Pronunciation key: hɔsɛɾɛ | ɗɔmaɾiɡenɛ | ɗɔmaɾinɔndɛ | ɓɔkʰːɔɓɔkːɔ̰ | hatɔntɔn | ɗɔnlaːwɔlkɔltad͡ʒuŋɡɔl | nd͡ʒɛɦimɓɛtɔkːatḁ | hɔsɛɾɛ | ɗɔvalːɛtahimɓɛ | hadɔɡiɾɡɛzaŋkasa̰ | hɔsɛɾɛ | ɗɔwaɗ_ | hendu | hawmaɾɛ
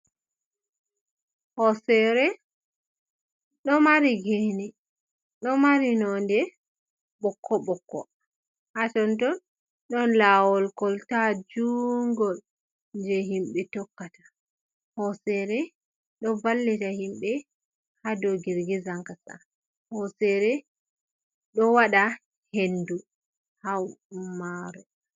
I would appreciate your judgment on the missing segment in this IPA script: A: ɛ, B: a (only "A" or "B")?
B